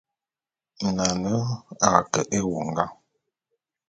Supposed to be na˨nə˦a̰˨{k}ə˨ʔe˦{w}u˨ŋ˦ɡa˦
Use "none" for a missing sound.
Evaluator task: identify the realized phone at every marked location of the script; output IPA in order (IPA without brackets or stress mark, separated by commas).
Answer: k, w